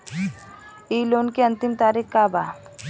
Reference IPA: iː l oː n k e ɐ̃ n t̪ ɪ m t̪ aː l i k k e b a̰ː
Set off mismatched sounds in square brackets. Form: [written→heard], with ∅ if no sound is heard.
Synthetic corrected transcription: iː l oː n k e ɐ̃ n t̪ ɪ m t̪ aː [l→ɾ] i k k [e→a] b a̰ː